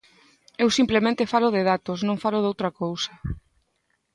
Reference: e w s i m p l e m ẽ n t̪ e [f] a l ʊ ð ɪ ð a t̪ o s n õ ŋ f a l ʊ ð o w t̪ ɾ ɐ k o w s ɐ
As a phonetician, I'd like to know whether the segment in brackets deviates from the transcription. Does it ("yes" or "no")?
no